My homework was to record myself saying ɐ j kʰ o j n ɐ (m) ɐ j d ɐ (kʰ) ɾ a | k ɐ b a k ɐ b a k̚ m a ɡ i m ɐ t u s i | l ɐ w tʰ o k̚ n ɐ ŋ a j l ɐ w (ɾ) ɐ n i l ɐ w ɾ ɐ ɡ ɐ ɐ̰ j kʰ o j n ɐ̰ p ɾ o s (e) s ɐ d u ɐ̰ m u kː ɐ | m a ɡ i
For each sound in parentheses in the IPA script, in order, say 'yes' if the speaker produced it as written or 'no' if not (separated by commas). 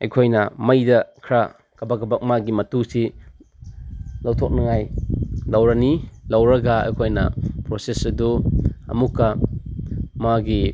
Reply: yes, yes, yes, yes